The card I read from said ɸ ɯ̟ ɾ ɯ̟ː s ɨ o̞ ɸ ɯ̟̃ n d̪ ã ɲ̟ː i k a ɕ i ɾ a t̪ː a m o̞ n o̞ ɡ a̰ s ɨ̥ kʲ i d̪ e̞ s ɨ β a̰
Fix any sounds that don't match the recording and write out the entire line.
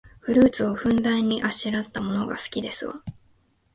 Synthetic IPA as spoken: ɸ ɯ̟ ɾ ɯ̟ː t͡s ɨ o̞ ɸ ɯ̟̃ n d̪ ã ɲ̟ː i ʔ a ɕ i ɾ a t̪ː a m o̞ n o̞ ɡ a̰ s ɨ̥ kʲ i d̪ e̞ s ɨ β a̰